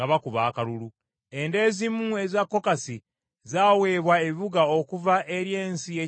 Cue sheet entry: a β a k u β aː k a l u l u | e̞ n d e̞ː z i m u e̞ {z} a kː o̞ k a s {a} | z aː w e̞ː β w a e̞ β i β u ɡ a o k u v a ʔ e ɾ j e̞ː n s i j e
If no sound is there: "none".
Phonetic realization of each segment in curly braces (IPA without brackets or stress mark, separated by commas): z, i